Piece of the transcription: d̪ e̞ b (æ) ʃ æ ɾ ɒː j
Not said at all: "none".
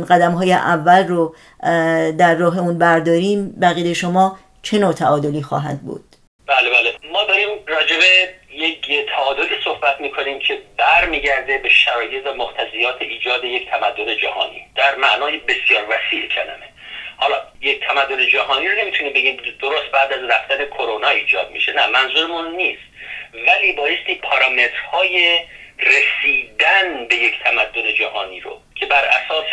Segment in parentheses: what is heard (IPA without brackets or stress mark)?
e